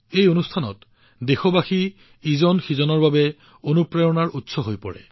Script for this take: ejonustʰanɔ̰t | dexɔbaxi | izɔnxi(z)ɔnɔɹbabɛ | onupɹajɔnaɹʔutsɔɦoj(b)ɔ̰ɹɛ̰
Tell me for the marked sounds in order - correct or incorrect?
correct, incorrect: p

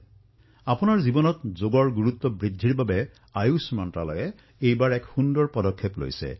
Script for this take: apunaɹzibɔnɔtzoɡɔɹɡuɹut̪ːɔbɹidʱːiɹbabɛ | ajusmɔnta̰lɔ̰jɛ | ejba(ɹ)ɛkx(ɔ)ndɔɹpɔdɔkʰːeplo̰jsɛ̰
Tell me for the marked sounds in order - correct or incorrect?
correct, incorrect: u

